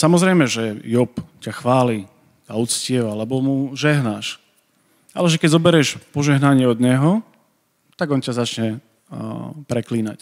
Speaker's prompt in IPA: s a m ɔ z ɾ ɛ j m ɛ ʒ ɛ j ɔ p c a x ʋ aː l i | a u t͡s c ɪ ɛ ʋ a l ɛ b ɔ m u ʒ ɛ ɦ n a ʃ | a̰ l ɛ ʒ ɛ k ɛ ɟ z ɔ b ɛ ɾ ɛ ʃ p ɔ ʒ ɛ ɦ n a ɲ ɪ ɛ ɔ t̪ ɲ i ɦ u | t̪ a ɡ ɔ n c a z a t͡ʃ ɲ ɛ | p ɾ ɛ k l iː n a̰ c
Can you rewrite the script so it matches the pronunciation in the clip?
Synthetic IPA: s a m ɔ z ɾ ɛ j m ɛ ʒ ɛ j ɔ p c a x ʋ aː l i | a u t͡s c ɪ ɛ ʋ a l ɛ b ɔ m u ʒ ɛ ɦ n a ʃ | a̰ l ɛ ʒ ɛ k ɛ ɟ z ɔ b ɛ ɾ ɛ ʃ p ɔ ʒ ɛ ɦ n a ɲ ɪ ɛ ɔ d̪ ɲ ɛ ɦ ɔ | t̪ a ɡ ɔ n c a z a t͡ʃ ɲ ɛ | p ɾ ɛ k l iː n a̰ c